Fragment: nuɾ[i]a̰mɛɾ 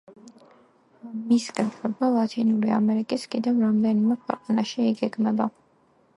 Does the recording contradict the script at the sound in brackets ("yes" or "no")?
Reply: no